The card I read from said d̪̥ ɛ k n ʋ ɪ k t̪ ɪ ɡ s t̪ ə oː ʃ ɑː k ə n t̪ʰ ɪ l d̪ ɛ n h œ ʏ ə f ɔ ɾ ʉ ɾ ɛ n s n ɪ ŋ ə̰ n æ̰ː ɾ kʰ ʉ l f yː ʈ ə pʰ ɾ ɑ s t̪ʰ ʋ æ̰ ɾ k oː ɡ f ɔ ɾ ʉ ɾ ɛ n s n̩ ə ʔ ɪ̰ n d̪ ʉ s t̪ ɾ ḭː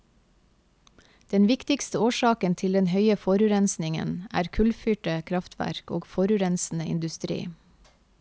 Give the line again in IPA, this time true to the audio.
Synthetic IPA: d̪̥ ɛ n ʋ ɪ k t̪ ɪ k s t̪ ə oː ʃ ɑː k ə n t̪ʰ ɪ l d̪ ɛ n h œ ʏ ə f ɔ ɾ ʉ ɾ ɛ n s n ɪ ŋ ə̰ n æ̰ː ɾ kʰ ʉ l f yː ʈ ə kʰ ɾ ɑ f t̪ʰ ʋ æ̰ ɾ k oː ɡ f ɔ ɾ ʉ ɾ ɛ n s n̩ ə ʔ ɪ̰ n d̪ ʉ s t̪ ɾ ḭː